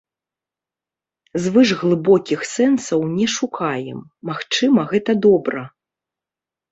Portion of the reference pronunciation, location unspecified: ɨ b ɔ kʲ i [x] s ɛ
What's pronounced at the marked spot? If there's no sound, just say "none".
x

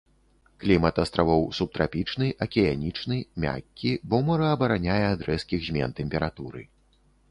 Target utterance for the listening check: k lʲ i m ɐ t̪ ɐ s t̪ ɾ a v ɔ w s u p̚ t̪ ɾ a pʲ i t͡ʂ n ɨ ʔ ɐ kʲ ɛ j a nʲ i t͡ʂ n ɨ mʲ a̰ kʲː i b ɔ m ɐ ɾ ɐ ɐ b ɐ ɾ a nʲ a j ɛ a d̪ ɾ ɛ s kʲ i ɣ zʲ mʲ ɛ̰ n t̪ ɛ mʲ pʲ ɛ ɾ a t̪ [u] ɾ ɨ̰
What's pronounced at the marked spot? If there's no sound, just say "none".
u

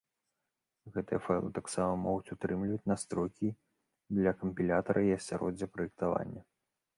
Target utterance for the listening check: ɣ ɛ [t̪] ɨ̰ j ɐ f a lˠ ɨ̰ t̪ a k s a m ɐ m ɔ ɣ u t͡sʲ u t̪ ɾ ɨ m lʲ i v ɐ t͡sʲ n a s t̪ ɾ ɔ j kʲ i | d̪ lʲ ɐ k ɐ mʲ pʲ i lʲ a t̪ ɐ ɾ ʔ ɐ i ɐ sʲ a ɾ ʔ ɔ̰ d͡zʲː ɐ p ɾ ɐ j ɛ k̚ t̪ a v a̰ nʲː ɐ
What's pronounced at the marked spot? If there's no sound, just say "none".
t̪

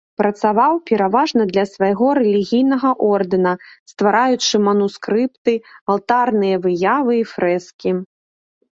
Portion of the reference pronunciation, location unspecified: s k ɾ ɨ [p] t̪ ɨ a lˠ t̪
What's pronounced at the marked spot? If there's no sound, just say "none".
p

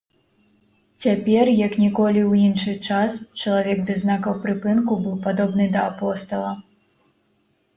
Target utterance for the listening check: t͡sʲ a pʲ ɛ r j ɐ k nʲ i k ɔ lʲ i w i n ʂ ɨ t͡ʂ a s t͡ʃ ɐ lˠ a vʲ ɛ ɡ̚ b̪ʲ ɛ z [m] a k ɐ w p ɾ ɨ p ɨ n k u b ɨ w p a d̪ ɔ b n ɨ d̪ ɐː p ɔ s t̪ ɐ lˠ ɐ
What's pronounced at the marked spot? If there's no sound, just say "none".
n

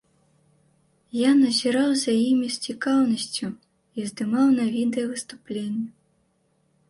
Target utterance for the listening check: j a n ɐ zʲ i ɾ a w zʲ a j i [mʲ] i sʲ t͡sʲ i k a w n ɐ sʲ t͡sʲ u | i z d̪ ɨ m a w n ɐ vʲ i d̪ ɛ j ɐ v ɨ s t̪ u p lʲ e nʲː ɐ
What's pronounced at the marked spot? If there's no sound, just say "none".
mʲ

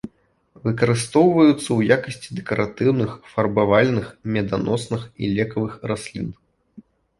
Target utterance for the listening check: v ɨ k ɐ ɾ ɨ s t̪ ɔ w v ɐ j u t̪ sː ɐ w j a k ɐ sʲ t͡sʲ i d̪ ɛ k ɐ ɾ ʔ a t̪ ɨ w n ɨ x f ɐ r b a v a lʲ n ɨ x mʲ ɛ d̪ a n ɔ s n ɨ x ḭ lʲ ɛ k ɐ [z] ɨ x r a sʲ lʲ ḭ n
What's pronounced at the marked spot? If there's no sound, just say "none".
v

